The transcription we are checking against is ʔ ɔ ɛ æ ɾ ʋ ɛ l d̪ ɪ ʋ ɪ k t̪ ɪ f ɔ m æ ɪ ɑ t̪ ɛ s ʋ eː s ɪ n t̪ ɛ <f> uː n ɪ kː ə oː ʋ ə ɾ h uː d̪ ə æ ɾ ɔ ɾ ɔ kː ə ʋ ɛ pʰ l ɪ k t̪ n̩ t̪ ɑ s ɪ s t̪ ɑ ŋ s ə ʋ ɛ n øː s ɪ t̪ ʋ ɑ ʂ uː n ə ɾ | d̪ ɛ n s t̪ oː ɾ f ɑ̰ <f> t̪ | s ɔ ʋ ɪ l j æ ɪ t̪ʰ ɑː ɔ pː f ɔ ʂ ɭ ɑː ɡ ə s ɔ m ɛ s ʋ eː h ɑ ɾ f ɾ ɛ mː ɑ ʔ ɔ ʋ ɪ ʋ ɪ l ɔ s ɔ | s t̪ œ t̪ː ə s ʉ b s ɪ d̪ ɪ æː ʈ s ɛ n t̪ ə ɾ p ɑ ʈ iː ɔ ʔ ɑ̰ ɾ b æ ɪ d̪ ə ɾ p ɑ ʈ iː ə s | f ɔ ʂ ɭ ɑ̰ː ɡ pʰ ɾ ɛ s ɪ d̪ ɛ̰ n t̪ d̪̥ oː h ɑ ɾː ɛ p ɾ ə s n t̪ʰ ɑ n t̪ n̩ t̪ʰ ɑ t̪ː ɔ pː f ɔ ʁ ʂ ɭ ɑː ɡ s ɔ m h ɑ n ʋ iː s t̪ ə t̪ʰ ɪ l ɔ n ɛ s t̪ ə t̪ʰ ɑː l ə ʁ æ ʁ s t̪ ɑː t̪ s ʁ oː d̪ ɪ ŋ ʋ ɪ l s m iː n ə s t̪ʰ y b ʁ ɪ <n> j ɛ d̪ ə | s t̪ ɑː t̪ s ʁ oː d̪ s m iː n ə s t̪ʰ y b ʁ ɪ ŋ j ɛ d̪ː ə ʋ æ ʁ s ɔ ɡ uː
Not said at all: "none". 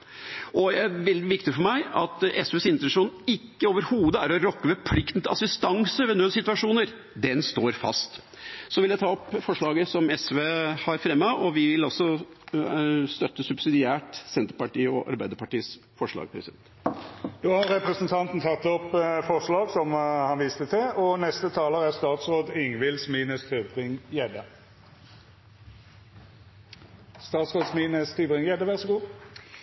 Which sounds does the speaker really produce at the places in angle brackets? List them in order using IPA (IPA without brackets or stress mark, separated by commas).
ʂ, s, ŋ